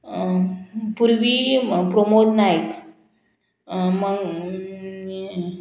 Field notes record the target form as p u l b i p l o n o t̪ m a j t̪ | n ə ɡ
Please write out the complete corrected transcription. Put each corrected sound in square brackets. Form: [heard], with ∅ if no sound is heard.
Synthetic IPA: p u [ɾ] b i p [ɾ] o [m] o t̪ [n] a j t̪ | [m] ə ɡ